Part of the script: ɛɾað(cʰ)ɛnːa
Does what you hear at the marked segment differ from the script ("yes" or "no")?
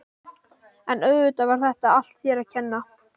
no